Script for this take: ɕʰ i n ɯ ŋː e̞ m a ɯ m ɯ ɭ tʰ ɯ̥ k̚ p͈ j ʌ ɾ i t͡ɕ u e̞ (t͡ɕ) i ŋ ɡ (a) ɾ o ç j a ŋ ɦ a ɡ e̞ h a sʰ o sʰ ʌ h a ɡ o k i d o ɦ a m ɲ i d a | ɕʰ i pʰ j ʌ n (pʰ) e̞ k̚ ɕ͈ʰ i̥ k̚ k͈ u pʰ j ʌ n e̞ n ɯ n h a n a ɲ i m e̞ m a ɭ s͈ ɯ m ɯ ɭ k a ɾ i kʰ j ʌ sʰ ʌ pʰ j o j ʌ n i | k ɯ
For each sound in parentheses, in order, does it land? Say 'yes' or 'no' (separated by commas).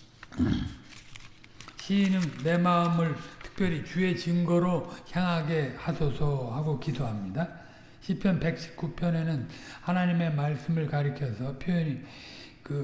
yes, no, no